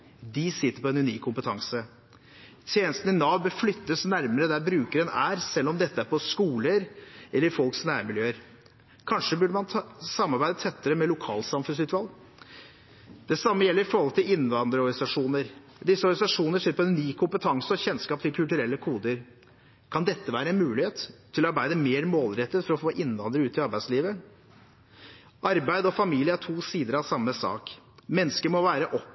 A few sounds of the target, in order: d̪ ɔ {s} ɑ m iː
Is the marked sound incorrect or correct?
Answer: incorrect: f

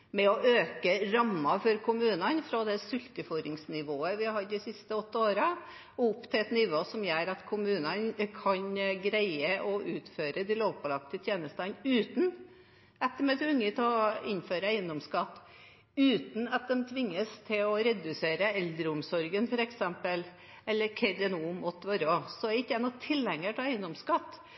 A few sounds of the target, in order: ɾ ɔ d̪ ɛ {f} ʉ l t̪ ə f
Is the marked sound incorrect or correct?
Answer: incorrect: s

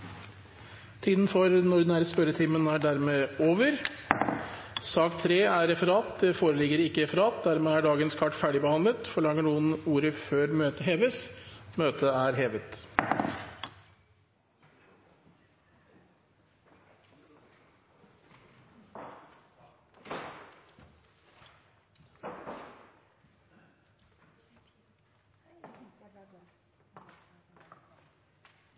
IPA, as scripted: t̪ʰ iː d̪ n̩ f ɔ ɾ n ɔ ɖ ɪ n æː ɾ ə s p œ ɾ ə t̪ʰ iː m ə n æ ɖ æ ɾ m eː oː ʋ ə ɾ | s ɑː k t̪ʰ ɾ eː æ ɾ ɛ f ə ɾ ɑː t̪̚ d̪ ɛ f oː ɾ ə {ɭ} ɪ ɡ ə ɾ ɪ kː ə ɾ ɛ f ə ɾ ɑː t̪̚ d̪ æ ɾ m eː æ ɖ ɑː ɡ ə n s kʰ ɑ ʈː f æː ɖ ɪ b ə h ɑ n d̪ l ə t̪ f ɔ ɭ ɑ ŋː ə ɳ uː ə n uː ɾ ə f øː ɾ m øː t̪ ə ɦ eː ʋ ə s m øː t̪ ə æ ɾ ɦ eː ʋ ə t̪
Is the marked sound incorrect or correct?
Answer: incorrect: l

